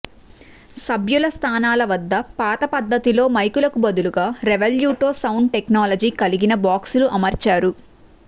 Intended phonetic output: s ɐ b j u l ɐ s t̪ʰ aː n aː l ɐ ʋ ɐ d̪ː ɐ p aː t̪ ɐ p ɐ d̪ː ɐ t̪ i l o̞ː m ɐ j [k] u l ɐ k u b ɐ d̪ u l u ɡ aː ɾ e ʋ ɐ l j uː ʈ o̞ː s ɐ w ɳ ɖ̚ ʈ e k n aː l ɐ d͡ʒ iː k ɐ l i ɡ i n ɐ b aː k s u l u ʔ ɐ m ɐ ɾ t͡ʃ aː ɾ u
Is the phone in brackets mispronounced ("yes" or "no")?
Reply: no